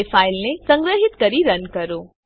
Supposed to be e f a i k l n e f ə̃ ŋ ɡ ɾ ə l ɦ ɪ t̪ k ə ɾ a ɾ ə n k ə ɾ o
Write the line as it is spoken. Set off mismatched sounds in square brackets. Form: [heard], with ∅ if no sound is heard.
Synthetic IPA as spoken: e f a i [∅] l n e [s] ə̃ ŋ ɡ ɾ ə [∅] ɦ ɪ t̪ k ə ɾ [i] ɾ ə n k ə ɾ o